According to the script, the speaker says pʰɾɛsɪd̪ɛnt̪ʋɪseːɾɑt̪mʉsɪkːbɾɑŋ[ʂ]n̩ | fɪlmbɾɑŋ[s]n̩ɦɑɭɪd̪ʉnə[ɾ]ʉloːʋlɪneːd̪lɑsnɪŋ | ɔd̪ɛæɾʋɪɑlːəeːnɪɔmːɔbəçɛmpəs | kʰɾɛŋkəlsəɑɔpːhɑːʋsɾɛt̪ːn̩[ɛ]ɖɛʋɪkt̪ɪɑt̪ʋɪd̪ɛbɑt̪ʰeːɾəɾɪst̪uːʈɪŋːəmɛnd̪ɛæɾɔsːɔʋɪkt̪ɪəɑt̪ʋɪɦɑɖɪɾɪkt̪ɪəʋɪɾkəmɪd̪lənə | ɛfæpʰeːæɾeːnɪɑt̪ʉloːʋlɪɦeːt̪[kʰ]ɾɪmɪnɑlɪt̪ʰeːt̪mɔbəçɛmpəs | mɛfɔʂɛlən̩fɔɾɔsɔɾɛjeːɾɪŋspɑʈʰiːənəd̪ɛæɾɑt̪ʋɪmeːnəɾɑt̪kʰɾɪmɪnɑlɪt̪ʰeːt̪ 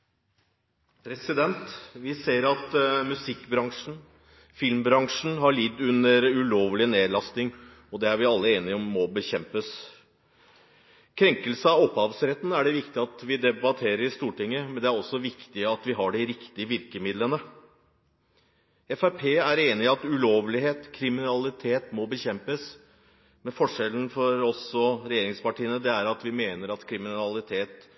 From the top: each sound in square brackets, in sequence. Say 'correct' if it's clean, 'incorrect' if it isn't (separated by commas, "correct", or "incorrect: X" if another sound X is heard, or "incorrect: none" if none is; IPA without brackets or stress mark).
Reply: correct, incorrect: ʂ, correct, incorrect: æ, correct